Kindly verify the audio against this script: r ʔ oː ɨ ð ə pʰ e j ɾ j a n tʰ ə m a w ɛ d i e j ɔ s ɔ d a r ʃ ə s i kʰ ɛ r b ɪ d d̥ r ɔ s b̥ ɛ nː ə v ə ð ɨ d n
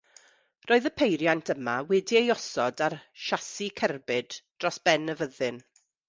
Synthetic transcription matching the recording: r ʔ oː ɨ ð ə pʰ e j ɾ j a n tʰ ə m a w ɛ d i e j ɔ s ɔ d a r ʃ a s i kʰ ɛ r b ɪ d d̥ r ɔ s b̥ ɛ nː ə v ə ð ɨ n